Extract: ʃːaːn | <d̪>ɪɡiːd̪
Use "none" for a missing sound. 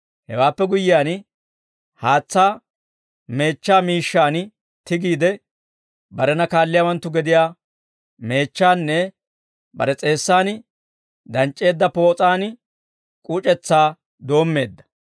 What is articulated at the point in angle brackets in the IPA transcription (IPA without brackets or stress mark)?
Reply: t̪